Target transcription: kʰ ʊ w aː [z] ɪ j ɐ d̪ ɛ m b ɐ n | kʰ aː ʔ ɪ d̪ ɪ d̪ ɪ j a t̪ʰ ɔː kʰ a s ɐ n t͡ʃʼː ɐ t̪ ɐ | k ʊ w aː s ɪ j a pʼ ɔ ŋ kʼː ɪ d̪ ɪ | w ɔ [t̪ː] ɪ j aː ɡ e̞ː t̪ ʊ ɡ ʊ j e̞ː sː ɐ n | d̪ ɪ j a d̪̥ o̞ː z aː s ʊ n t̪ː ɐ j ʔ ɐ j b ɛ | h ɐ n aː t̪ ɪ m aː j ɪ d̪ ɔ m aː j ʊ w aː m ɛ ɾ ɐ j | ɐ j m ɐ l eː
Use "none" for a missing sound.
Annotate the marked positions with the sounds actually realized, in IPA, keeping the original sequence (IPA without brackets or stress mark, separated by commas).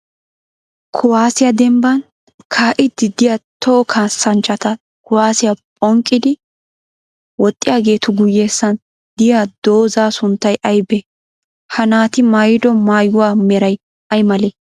s, t̪ʼː